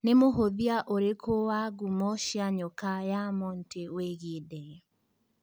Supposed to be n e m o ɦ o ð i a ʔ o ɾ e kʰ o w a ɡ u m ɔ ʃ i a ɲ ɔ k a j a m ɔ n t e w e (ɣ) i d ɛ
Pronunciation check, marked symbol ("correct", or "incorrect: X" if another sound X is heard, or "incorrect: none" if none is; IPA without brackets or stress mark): correct